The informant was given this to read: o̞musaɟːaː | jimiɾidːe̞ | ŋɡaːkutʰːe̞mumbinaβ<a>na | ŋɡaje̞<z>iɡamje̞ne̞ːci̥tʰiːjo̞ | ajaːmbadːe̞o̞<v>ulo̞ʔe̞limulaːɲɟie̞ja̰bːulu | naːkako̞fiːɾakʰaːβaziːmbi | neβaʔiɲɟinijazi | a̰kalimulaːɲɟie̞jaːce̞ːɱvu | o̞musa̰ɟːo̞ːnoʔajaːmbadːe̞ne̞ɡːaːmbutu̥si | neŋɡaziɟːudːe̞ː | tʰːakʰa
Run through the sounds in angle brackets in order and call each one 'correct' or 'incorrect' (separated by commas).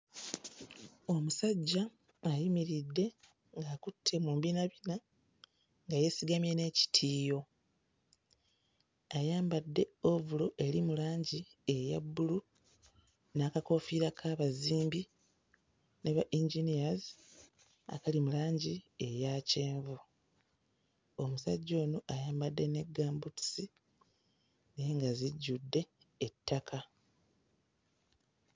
incorrect, incorrect, correct